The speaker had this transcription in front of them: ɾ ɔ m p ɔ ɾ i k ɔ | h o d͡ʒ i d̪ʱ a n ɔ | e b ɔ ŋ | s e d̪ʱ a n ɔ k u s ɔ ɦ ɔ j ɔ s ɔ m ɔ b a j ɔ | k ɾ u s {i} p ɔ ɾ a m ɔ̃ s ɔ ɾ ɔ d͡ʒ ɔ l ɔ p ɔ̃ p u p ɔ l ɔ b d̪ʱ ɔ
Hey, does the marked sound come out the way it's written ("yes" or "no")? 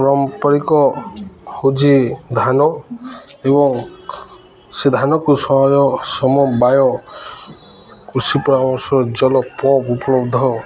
yes